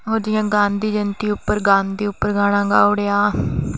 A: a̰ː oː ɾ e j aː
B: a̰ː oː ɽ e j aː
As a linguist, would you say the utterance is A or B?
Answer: B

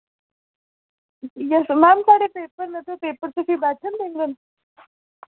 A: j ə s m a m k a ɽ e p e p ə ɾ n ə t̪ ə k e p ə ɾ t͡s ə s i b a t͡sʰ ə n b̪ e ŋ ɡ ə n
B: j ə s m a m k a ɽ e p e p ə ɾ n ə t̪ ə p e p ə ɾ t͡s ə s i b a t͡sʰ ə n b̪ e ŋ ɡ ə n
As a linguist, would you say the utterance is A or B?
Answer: B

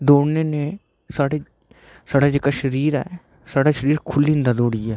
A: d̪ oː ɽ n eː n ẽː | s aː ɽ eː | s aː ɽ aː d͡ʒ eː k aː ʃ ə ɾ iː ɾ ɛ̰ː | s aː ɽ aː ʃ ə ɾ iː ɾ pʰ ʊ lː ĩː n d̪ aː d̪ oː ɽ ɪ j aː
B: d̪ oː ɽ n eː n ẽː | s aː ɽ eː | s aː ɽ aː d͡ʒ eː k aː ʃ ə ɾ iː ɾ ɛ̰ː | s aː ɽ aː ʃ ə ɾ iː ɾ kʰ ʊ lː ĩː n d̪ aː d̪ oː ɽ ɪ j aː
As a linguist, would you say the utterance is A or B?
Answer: B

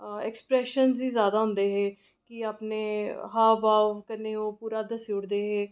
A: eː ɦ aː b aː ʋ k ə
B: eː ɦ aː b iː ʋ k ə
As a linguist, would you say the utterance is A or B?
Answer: A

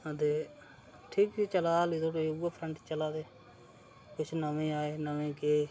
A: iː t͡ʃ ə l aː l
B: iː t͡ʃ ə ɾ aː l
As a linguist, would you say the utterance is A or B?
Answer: A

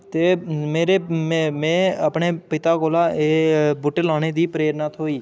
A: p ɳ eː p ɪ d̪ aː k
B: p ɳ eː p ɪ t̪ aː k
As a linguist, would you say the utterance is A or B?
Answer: B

